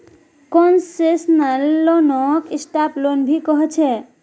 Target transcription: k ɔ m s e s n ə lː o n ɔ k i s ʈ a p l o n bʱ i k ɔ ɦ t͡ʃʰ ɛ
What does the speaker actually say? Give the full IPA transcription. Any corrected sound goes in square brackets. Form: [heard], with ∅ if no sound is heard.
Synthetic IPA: k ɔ [n] s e s n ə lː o n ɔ k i s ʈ a p l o n bʱ i k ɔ ɦ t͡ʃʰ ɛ